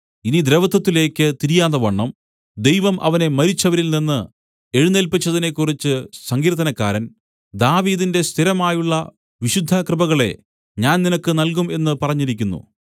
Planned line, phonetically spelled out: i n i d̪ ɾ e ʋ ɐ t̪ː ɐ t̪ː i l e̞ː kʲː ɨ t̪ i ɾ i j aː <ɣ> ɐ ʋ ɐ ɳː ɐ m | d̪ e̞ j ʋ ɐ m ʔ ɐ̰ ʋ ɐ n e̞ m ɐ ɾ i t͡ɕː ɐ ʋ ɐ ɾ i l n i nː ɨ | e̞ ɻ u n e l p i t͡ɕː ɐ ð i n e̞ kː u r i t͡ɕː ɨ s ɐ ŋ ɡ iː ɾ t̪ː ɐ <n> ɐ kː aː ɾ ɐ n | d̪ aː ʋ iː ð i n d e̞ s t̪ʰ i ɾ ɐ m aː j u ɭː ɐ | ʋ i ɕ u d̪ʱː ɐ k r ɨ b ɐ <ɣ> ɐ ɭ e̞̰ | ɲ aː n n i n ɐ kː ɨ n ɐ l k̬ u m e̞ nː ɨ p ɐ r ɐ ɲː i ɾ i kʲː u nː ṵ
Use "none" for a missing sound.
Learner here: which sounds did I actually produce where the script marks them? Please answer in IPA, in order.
ð, n, ɣ

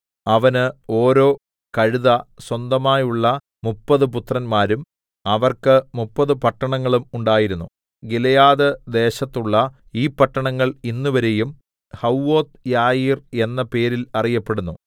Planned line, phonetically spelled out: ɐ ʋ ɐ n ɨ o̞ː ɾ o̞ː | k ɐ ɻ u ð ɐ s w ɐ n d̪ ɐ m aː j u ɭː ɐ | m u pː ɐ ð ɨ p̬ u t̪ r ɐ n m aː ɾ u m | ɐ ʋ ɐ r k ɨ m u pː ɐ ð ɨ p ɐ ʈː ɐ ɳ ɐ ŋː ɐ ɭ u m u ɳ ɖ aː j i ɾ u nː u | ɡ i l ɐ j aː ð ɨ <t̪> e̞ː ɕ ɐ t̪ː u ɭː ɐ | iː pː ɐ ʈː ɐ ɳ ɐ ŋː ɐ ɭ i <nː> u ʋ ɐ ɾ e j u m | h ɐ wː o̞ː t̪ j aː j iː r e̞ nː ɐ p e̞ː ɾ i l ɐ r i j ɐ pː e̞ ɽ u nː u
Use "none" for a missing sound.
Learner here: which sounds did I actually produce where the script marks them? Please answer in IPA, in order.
d̪, nː

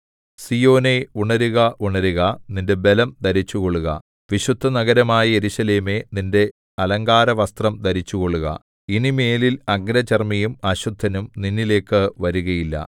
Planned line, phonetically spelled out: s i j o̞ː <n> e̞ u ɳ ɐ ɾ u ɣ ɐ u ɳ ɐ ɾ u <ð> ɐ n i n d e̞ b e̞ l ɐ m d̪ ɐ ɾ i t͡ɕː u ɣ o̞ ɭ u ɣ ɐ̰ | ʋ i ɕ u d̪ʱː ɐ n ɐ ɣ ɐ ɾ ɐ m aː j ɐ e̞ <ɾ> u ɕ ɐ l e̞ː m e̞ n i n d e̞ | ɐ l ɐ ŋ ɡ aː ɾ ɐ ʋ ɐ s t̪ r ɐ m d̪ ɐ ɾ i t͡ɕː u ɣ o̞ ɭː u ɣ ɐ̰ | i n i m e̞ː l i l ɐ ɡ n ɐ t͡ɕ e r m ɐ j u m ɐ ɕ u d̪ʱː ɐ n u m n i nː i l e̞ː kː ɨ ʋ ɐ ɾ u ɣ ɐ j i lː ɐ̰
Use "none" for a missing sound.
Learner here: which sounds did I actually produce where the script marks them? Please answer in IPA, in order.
n, ɣ, ɾ

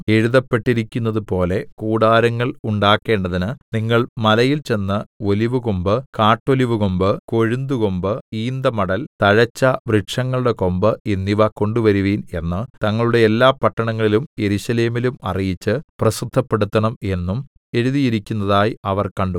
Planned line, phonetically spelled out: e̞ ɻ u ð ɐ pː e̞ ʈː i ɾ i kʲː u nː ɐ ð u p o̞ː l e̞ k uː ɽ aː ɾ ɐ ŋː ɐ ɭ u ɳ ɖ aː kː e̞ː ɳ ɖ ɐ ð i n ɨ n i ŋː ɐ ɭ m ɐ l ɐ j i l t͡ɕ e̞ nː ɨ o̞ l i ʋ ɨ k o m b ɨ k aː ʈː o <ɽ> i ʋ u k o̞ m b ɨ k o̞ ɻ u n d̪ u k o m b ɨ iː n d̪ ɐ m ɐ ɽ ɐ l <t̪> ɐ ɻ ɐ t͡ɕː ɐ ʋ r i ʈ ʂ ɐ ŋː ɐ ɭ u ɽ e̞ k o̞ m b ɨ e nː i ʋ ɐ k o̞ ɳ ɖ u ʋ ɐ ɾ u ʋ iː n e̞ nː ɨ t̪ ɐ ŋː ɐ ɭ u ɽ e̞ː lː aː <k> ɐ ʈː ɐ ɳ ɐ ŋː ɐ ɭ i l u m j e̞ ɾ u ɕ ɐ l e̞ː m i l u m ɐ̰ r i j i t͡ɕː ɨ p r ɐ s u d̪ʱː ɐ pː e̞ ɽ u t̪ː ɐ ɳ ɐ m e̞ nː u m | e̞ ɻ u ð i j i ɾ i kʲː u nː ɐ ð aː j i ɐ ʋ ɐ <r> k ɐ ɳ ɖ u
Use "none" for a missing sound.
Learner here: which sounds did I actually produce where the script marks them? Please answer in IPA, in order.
l, t̪, p, r

